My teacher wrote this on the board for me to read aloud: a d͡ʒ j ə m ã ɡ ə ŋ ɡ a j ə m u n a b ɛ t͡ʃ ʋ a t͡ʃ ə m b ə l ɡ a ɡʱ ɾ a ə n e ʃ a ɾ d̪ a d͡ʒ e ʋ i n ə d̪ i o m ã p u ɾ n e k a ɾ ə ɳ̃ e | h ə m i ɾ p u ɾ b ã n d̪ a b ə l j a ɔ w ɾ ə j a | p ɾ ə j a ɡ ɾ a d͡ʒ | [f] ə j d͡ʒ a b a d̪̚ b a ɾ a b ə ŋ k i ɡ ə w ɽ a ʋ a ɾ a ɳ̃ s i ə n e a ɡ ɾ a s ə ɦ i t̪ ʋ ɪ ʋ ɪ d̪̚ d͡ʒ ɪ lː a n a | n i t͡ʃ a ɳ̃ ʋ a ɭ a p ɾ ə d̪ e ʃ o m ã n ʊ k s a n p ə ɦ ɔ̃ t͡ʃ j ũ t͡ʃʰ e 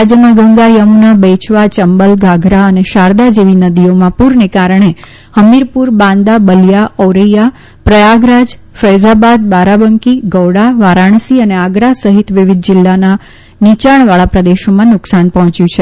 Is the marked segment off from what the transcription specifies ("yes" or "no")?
no